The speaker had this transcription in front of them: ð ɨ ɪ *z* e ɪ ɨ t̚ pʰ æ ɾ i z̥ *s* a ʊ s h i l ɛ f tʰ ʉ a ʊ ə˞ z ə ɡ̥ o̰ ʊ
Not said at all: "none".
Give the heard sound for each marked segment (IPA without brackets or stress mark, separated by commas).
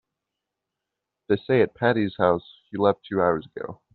s, h